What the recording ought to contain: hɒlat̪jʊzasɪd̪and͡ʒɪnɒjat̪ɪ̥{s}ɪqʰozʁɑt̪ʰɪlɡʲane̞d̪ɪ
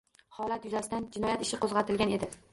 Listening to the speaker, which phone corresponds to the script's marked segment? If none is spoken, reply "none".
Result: ʃ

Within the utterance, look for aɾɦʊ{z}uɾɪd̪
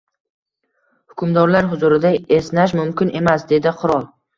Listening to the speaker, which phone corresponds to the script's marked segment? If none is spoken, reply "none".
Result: z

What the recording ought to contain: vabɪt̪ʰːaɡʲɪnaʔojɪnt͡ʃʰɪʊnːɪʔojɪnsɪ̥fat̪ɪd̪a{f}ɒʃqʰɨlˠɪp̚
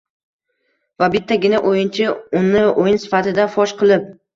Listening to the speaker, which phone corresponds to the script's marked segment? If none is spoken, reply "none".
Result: f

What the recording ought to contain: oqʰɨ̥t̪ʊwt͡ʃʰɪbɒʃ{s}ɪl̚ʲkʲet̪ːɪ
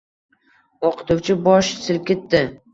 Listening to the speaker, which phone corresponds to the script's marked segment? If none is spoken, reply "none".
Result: s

